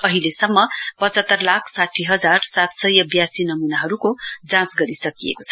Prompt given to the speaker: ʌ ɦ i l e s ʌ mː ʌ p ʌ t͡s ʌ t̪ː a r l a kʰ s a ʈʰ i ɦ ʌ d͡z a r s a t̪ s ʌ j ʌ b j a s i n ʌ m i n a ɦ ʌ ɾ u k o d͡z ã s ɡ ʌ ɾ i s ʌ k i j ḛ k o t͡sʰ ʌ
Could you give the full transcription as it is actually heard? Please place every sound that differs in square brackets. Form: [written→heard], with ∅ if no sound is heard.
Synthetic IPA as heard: ʌ ɦ i l e s ʌ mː ʌ p ʌ t͡s ʌ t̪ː [a→ʌ] r l a kʰ s a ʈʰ i ɦ ʌ d͡z a r s a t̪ s ʌ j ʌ b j a s i n ʌ m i n a ɦ ʌ ɾ u k o d͡z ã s ɡ ʌ ɾ i s ʌ k i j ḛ k o t͡sʰ ʌ